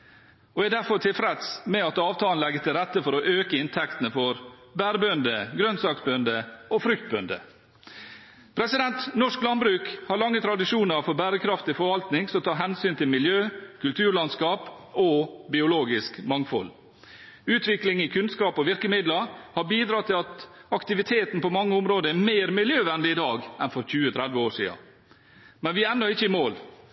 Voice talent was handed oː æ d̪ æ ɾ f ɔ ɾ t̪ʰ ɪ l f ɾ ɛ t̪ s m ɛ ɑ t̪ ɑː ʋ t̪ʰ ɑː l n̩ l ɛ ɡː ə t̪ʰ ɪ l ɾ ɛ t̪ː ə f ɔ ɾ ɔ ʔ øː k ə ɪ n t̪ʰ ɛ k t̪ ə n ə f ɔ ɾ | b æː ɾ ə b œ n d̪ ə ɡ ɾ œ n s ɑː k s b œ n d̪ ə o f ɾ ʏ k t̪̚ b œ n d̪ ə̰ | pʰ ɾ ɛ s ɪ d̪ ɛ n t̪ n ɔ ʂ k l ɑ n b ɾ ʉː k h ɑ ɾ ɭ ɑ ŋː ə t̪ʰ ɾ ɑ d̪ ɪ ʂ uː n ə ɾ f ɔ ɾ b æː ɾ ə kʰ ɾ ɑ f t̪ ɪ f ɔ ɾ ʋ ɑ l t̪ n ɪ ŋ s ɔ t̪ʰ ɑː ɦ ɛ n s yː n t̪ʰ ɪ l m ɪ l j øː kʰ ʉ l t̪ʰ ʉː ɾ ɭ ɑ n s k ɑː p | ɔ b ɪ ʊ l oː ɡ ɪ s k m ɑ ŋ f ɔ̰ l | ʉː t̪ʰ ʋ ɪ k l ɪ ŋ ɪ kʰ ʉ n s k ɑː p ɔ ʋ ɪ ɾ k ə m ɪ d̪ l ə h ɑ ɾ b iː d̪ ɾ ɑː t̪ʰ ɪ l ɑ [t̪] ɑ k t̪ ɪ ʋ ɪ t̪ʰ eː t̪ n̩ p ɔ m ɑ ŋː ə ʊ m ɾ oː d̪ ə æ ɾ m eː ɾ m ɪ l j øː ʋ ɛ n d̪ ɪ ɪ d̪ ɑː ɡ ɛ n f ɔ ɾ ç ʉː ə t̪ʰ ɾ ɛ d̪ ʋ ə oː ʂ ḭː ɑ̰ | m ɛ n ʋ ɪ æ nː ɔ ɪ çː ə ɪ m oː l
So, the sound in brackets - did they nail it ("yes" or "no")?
yes